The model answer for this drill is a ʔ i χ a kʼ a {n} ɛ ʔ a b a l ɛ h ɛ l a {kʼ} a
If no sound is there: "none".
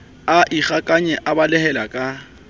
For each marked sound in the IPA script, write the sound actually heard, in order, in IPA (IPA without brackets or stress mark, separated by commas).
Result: ɲ, kʼ